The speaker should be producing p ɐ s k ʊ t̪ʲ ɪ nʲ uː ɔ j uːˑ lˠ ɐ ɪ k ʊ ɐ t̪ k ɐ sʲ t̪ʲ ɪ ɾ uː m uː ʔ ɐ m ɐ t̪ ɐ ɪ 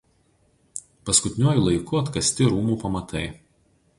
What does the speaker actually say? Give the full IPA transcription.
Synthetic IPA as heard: p ɐ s k ʊ t̪ʲ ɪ nʲ u ɔ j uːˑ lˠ ɐ ɪ k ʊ ɐ t̪ k ɐ sʲ t̪ʲ ɪ ɾ uː m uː p ɐ m ɐ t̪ ɐ ɪ